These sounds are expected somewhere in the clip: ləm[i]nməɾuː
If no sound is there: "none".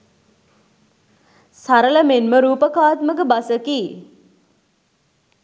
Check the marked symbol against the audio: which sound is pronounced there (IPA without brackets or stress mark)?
e